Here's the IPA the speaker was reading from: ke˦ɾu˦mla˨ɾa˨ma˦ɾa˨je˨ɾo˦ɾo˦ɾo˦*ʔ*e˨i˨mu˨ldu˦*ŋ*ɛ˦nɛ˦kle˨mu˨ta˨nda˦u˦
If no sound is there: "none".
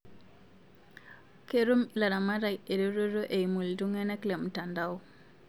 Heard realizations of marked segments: ʔ, ŋ

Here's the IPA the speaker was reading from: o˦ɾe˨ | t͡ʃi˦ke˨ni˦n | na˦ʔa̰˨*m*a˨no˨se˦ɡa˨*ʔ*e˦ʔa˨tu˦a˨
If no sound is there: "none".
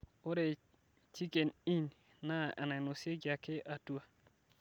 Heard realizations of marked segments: n, k

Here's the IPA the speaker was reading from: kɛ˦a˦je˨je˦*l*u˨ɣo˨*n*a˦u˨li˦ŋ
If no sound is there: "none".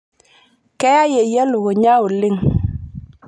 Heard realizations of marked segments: l, ɲ

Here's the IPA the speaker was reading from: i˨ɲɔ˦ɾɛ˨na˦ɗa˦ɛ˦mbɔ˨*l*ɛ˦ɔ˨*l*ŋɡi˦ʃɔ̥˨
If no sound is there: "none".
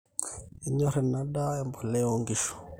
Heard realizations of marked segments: l, none

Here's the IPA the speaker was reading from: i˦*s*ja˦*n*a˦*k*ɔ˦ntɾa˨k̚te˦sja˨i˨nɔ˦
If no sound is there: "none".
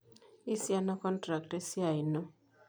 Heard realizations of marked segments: s, n, k

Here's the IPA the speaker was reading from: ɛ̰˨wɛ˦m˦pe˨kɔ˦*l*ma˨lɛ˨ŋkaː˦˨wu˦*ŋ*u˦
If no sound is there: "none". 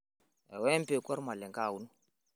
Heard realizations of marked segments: ɾ, n

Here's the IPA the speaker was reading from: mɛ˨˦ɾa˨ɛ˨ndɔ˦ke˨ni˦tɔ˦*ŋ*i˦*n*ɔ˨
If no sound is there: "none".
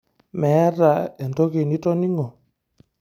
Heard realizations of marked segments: n, ŋ

